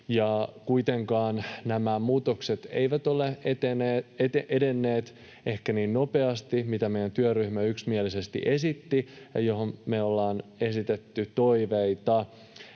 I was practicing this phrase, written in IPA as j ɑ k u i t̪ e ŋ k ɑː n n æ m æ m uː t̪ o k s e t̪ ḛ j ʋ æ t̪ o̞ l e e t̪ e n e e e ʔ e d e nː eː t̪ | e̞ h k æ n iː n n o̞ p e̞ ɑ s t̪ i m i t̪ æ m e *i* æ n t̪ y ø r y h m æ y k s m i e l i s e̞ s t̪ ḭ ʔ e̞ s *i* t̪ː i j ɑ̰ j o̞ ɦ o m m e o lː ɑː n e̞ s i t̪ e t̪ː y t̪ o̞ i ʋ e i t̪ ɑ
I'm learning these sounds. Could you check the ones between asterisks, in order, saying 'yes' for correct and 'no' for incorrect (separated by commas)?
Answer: no, yes